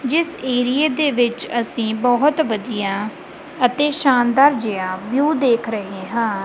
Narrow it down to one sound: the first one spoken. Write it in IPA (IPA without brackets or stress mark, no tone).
d͡ʒ